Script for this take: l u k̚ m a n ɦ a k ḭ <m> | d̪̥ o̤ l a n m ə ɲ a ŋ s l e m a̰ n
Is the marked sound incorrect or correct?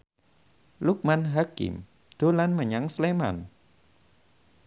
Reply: correct